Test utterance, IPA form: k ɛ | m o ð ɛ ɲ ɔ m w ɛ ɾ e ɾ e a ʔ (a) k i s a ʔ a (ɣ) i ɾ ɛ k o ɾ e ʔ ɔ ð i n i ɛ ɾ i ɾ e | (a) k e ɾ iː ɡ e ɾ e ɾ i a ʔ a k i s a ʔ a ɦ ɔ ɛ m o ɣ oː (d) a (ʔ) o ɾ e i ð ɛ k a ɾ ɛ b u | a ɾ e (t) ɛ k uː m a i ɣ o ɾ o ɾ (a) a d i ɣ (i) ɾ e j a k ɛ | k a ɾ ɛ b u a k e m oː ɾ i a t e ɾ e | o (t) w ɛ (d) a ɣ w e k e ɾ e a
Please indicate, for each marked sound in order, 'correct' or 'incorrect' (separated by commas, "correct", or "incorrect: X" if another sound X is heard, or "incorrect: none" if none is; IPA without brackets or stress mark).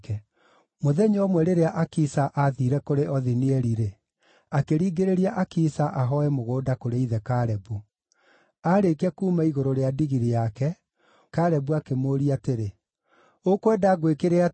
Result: correct, incorrect: ð, correct, correct, incorrect: k, incorrect: k, incorrect: e, correct, incorrect: k, correct